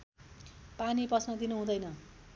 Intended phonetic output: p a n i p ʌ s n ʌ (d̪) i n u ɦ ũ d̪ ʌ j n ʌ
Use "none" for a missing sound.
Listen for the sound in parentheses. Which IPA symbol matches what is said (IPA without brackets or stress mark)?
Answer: d̪